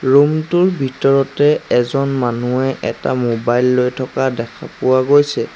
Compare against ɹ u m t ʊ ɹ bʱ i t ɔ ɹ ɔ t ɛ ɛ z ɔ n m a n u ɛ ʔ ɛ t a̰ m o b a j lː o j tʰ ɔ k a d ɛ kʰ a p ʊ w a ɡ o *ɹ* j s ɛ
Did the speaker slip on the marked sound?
yes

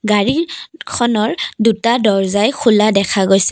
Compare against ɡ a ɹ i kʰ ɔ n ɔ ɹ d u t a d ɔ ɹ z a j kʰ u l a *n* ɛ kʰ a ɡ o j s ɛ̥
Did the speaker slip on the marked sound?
yes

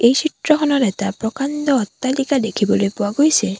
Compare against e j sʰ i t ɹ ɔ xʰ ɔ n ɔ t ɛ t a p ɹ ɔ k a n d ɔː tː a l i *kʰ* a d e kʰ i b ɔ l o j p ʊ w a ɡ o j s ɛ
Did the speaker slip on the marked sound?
yes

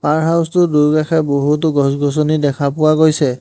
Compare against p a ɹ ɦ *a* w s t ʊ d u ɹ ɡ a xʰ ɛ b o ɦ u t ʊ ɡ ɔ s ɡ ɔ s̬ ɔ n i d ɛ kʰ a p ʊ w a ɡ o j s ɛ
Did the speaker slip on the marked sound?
no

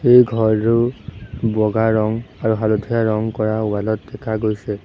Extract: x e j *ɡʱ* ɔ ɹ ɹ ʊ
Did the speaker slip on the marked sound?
no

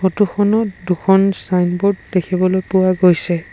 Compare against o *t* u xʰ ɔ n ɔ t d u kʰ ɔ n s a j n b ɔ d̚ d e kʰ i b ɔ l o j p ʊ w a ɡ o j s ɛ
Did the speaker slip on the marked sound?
no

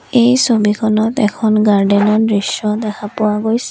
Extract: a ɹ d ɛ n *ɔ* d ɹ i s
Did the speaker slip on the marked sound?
no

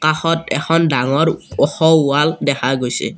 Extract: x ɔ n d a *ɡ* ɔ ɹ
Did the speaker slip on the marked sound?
yes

